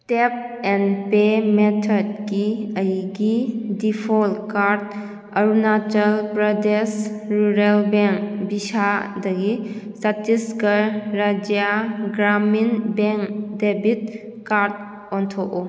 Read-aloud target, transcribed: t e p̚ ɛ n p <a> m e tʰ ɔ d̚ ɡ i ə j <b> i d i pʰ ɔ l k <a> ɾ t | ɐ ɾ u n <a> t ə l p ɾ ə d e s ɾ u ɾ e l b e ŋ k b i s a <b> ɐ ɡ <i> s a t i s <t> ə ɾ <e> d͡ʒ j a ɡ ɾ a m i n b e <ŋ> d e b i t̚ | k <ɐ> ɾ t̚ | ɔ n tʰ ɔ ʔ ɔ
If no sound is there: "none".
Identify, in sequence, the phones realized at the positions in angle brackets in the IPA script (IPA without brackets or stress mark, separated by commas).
e, ɡ, a, a, d, i, k, a, ŋ, a